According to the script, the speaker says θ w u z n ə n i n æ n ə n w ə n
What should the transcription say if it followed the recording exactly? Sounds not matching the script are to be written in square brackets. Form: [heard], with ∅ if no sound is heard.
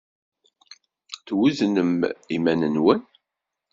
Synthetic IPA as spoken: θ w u z n ə [m] i [m] æ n ə n w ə n